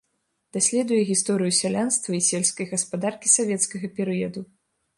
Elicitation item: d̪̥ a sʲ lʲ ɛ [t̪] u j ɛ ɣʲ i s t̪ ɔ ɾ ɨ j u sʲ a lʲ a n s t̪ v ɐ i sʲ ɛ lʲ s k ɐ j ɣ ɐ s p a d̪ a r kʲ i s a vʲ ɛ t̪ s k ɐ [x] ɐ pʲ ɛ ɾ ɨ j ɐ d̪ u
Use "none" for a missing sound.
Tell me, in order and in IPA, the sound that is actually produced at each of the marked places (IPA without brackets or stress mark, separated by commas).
d̪, ɣ